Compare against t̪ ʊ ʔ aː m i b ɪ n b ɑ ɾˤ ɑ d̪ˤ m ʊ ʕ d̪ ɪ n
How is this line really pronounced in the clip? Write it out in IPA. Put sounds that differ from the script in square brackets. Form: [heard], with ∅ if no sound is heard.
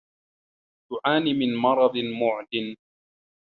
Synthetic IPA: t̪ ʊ ʔ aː [n] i [m] ɪ n [m] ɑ ɾˤ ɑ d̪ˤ m ʊ ʕ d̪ ɪ n